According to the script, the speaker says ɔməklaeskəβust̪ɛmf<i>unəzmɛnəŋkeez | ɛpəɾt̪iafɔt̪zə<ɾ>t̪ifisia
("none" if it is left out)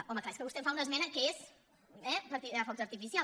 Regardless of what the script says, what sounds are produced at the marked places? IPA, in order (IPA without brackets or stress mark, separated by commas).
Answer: a, ɾ